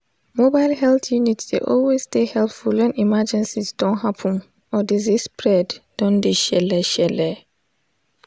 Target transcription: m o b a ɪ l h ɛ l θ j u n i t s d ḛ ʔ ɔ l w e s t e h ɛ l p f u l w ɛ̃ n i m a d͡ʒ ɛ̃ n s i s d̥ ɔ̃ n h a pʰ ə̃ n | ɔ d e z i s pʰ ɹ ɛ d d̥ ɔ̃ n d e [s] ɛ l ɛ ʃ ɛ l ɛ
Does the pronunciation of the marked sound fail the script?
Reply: yes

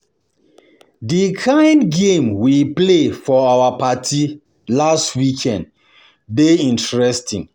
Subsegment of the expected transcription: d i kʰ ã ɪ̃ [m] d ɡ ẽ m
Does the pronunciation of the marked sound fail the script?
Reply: yes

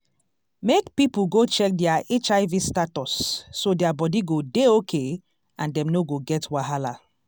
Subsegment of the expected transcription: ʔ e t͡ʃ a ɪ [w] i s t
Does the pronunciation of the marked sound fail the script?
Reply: yes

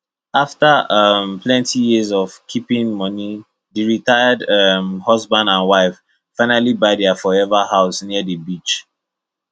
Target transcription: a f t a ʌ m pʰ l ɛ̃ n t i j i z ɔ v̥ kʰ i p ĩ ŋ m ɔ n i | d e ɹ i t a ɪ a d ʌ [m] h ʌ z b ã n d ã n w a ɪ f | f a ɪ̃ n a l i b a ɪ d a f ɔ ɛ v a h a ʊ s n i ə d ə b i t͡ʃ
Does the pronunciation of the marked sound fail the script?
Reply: no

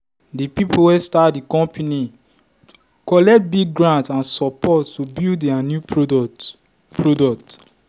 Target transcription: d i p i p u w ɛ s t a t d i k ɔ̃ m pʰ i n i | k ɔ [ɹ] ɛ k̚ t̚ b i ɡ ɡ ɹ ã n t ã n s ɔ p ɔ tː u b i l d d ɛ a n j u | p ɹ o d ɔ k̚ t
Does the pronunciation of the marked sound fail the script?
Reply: yes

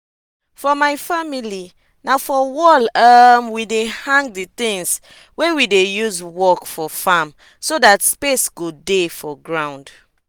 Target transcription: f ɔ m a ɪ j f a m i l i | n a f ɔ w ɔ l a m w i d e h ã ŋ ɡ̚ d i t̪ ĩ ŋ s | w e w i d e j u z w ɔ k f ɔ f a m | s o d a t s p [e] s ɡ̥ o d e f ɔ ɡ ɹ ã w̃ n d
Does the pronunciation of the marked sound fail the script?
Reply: no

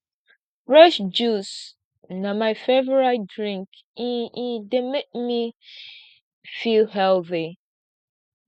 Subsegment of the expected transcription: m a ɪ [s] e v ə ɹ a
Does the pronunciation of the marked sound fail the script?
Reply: yes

